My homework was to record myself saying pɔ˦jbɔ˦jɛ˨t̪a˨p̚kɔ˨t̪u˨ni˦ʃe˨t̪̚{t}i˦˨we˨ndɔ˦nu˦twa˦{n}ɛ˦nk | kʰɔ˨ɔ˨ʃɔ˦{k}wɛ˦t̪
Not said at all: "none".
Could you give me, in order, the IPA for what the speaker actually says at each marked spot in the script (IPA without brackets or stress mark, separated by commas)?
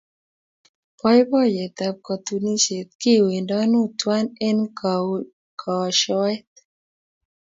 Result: k, n, none